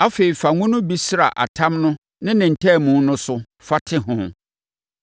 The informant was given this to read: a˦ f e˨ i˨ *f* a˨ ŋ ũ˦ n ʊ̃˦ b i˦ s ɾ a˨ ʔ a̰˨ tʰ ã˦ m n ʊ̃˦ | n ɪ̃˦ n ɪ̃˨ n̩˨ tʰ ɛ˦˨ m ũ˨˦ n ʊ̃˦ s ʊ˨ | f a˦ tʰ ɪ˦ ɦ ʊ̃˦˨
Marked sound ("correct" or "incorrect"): correct